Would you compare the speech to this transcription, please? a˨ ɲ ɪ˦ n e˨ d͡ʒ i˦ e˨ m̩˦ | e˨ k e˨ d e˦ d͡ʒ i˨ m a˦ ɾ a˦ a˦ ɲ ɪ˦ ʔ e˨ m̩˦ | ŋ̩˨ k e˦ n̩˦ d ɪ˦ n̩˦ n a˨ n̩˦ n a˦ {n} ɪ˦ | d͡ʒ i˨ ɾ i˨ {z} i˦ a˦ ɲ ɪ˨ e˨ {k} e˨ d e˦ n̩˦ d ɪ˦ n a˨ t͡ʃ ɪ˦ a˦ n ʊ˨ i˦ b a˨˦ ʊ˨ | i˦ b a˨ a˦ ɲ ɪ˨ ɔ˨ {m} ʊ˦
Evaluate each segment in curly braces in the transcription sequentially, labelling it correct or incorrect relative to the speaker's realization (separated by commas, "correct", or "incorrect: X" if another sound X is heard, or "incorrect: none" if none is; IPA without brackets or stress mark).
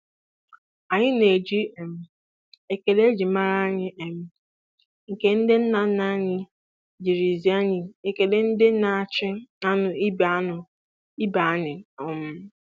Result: incorrect: ɲ, correct, correct, correct